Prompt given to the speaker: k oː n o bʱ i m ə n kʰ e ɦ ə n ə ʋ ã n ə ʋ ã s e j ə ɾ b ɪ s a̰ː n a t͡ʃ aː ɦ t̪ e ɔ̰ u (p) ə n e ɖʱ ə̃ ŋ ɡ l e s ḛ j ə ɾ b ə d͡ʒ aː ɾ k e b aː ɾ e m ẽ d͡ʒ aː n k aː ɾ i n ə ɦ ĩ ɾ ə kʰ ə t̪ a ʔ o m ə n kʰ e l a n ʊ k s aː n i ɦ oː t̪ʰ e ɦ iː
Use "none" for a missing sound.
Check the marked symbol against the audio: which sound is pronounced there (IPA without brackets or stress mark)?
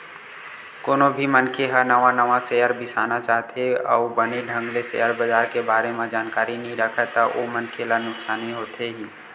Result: b